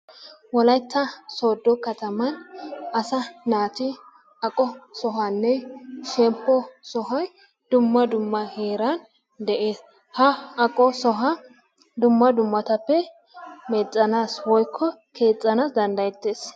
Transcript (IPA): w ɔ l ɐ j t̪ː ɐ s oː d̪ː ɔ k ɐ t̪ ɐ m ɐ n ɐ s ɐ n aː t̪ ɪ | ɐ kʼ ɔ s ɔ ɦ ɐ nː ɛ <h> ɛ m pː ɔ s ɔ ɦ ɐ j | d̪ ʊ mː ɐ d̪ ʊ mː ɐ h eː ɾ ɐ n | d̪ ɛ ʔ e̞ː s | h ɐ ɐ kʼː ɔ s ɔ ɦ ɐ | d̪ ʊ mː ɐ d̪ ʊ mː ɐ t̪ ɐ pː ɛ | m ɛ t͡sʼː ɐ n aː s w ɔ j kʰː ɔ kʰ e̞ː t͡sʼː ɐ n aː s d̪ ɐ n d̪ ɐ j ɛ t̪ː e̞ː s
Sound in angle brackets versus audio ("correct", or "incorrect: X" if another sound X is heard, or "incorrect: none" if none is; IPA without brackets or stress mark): incorrect: ʃ